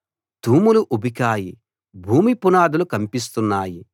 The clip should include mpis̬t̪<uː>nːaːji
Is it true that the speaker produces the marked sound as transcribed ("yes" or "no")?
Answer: no